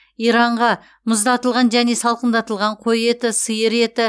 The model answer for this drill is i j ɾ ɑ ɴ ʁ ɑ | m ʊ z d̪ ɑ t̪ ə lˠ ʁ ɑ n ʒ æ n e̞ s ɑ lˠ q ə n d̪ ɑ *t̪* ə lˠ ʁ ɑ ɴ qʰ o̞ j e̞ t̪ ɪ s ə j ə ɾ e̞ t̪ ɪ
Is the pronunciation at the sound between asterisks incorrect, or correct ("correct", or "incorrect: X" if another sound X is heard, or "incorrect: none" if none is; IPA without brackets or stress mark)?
correct